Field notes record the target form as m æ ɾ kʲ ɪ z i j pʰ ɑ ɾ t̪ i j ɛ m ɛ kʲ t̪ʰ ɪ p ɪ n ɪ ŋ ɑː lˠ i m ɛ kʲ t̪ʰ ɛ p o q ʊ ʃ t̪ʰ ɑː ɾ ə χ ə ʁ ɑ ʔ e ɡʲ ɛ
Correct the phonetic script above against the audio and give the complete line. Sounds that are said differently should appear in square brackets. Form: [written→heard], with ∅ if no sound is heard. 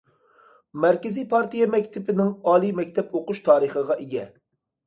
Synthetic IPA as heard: m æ ɾ kʲ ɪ z i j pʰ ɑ ɾ t̪ i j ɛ m ɛ kʲ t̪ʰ ɪ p ɪ n ɪ ŋ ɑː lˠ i m ɛ kʲ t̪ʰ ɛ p o q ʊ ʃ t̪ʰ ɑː ɾ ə χ ə ʁ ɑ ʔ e ɡʲ ɛ